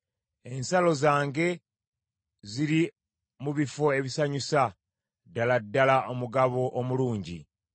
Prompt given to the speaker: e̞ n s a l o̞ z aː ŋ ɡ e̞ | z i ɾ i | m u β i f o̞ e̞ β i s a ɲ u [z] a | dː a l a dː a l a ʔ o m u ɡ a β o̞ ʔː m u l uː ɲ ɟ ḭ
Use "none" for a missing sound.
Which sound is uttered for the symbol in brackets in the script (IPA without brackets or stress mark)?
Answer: s